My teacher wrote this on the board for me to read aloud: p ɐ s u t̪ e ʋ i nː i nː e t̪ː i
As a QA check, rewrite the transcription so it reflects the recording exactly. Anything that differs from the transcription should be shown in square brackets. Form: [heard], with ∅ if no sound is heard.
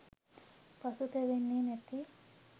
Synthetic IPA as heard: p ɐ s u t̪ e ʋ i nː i [n] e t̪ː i